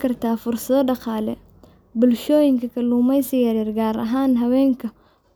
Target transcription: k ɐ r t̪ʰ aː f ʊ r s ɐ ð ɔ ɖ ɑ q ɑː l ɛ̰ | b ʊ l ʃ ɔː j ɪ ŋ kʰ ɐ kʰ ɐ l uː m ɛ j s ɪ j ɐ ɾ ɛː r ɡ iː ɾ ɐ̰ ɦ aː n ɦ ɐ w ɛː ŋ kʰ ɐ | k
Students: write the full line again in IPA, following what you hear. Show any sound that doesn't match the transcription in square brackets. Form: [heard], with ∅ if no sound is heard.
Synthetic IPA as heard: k ɐ r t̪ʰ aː f ʊ r s ɐ ð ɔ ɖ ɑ q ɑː l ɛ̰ | b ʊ l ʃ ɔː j ɪ ŋ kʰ ɐ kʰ ɐ l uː m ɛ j s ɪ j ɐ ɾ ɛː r ɡ [aː] ɾ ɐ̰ ɦ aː n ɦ ɐ w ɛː ŋ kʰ ɐ | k